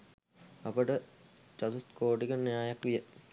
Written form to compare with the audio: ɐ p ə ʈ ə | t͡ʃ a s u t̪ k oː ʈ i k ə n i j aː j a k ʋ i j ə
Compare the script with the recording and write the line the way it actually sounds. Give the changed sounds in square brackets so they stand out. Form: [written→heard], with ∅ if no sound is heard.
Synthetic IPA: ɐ p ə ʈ ə | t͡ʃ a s u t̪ k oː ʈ i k ə n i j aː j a k ʋ i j ə